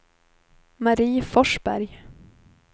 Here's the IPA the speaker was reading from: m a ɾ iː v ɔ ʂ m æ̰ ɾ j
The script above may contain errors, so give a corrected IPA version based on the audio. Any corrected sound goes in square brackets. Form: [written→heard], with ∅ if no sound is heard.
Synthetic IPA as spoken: m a ɾ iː [v→f] ɔ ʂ [m→b] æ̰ ɾ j